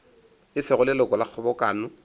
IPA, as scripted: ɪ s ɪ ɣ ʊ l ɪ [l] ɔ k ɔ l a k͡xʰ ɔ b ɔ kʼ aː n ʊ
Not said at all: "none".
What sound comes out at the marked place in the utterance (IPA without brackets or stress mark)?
l